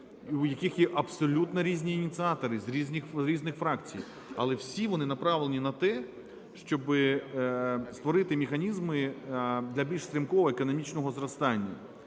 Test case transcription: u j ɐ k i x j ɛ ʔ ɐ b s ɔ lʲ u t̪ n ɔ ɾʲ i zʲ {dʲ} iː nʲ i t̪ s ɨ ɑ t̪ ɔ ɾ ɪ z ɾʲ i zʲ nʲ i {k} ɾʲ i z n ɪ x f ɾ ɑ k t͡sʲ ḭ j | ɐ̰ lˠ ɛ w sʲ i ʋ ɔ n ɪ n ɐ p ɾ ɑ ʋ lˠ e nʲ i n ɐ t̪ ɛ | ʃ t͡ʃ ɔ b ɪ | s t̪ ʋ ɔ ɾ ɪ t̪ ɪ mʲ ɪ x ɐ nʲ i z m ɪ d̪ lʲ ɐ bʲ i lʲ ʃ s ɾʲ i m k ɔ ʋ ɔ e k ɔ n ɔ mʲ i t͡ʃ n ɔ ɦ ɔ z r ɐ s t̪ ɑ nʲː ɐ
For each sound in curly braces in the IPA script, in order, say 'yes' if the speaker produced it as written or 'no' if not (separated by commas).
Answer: no, no